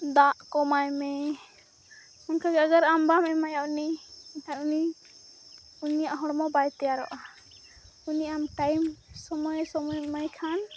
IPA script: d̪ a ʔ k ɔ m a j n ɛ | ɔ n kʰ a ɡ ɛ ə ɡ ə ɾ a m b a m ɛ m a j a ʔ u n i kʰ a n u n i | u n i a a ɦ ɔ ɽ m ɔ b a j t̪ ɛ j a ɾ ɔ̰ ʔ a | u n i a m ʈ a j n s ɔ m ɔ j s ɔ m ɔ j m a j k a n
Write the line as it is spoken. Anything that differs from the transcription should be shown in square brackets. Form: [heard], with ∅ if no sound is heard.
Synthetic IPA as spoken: d̪ a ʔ k ɔ m a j [m] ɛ | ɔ n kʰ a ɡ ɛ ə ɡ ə ɾ a m b a m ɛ m a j a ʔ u n i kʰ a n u n i | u n i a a ɦ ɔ ɽ m ɔ b a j t̪ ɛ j a ɾ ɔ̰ ʔ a | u n i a m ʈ a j [m] s ɔ m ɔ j s ɔ m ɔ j m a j [kʰ] a n